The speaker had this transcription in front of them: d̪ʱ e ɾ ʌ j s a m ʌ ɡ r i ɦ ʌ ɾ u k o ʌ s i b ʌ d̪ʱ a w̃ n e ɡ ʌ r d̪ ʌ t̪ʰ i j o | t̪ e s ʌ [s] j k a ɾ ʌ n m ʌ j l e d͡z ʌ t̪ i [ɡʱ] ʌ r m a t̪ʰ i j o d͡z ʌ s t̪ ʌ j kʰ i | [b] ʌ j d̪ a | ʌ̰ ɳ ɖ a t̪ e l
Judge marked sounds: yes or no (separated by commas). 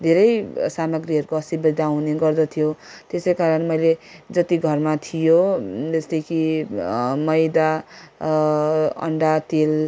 no, yes, no